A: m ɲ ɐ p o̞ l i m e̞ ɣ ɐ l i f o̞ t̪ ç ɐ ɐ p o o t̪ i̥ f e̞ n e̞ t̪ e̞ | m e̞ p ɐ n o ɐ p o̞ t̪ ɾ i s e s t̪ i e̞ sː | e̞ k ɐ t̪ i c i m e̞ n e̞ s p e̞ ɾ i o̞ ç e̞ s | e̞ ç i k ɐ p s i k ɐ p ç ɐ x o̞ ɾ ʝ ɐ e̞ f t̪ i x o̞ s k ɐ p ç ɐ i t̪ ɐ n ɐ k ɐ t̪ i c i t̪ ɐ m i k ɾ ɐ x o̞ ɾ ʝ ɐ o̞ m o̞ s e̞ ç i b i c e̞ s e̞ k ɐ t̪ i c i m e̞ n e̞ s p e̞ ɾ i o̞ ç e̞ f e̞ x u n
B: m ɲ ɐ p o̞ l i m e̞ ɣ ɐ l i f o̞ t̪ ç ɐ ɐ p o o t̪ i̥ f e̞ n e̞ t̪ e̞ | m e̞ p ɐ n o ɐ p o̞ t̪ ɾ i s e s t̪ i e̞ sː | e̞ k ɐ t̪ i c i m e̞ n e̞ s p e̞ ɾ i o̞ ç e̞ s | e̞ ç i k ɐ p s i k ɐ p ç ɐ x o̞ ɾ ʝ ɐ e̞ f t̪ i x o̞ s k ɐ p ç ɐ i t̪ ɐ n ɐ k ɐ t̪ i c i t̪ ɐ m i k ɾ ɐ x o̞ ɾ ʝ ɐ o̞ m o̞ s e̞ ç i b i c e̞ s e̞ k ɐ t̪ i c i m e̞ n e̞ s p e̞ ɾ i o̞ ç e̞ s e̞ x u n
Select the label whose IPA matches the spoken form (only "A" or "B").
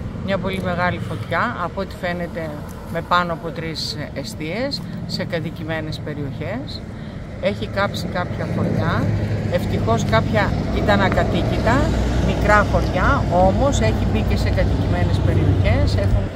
B